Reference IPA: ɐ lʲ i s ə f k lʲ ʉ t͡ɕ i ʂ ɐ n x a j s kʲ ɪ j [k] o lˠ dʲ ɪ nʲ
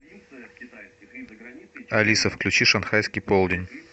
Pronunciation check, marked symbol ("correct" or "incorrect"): incorrect